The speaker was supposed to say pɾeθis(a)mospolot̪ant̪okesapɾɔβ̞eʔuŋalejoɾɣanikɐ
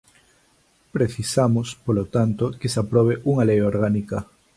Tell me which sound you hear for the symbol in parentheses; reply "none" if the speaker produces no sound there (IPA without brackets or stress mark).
a